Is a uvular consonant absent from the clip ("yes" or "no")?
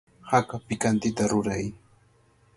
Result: yes